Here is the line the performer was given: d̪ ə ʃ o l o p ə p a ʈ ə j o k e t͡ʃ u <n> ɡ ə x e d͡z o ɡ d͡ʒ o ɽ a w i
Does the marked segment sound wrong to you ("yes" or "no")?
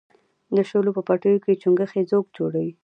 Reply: yes